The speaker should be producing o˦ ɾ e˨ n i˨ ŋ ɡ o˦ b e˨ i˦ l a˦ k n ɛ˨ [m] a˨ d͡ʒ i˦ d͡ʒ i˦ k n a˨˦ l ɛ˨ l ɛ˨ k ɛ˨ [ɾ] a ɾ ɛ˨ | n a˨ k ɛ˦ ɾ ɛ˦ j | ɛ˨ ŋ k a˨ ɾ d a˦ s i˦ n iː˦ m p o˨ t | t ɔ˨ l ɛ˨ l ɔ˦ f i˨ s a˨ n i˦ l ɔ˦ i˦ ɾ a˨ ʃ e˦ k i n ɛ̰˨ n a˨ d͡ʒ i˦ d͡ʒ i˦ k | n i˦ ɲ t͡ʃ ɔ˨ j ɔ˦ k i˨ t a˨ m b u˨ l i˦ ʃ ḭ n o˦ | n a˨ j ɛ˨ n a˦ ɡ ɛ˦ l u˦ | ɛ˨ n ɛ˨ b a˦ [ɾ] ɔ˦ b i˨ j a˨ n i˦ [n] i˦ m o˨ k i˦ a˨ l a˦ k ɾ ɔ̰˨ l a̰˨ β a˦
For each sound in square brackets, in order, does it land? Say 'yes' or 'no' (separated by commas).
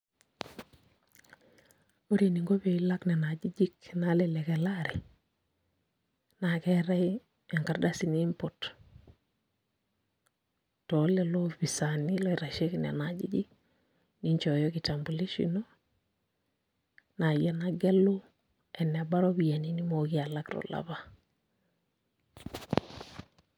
no, no, yes, yes